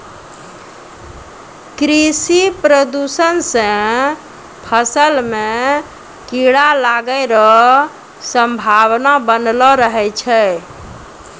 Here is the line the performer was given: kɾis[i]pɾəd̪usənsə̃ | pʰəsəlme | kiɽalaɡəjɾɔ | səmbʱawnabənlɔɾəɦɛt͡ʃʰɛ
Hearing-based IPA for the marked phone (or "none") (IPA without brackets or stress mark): i